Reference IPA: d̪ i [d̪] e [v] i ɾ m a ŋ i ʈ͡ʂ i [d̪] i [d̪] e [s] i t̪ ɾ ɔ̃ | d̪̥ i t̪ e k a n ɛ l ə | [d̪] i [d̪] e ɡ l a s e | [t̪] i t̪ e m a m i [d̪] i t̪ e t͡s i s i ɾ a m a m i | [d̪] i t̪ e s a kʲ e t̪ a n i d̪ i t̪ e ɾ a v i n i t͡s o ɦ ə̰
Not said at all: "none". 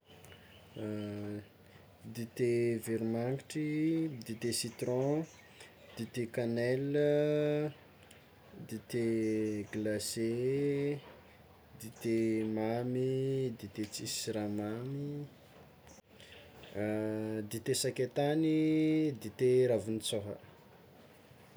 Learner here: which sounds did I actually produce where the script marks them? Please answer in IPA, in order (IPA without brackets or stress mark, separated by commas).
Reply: t̪, v, d̪, t̪, s, d̪, t̪, d̪, d̪, d̪